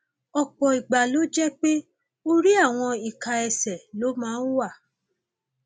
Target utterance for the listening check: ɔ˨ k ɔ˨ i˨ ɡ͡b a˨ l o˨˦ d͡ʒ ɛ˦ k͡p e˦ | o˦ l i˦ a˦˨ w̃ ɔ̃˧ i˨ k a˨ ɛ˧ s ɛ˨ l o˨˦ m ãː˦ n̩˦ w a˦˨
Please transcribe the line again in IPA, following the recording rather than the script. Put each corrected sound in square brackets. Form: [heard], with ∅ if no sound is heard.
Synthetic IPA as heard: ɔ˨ [k͡p] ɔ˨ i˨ ɡ͡b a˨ l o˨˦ d͡ʒ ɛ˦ k͡p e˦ | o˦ [ɾ] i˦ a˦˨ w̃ ɔ̃˧ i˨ k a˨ ɛ˧ s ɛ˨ l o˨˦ m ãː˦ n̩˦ w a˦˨